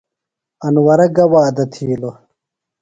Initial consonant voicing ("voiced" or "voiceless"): voiced